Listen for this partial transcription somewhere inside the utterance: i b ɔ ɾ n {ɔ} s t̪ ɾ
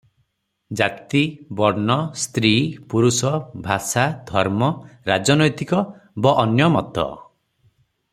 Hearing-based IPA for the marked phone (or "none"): ɔ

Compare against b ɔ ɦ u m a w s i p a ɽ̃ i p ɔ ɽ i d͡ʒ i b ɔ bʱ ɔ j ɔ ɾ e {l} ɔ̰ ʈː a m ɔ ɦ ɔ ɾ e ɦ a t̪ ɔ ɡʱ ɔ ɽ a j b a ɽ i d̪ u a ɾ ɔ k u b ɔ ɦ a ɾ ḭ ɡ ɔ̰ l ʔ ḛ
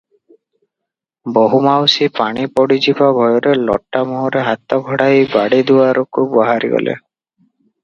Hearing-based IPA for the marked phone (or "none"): l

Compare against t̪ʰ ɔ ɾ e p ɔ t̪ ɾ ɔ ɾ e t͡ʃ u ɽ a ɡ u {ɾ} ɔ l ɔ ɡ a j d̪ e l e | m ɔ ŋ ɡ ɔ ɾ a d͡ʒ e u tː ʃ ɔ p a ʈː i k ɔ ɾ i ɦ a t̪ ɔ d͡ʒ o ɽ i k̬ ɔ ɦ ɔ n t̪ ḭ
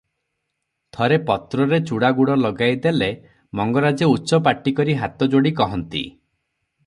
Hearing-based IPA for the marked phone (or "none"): ɽ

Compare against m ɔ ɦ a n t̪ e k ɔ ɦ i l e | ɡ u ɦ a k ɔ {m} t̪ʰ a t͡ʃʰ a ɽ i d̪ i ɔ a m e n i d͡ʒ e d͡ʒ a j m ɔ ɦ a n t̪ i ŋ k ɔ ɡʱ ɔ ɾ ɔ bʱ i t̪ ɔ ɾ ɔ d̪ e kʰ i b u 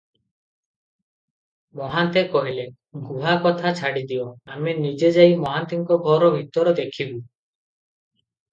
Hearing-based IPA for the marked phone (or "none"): none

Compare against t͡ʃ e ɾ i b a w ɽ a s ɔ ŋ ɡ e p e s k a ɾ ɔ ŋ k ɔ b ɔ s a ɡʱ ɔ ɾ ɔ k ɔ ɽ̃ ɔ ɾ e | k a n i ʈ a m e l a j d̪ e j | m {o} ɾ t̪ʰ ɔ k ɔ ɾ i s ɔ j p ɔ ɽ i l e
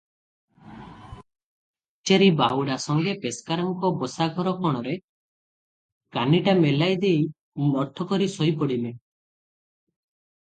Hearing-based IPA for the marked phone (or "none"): ɔ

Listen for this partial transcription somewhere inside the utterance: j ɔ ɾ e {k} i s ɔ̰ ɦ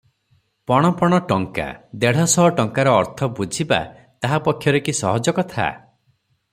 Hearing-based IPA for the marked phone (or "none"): k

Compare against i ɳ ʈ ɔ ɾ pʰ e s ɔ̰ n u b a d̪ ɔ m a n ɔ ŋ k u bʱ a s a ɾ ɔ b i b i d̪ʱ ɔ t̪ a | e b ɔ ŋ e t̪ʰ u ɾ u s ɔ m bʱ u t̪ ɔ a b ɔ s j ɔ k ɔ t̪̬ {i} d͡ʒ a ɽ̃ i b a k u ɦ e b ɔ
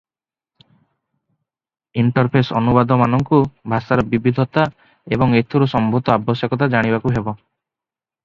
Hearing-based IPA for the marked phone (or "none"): a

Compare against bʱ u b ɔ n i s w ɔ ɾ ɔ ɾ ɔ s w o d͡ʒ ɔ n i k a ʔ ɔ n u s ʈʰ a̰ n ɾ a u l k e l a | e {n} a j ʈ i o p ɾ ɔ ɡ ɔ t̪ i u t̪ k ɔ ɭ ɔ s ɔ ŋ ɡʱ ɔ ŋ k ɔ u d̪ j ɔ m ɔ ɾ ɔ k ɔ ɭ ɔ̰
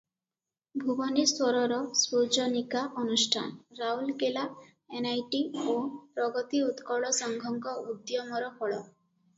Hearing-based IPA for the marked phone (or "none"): n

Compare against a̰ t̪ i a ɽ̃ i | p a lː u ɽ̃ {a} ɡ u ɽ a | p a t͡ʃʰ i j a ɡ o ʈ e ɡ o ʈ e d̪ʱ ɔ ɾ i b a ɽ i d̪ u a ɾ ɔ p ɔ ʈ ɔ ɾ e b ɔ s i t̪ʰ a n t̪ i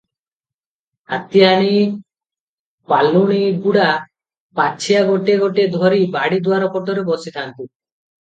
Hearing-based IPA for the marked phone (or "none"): i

